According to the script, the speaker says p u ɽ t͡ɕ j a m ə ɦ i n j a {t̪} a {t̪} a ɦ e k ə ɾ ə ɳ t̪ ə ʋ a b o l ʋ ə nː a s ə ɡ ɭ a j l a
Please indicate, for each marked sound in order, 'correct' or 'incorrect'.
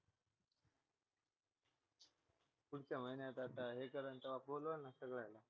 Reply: correct, correct

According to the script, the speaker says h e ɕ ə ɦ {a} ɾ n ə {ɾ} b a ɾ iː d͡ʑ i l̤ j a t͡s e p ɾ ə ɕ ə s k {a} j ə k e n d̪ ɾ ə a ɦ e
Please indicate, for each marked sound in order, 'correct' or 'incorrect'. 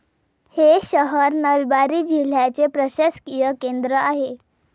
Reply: incorrect, incorrect, incorrect

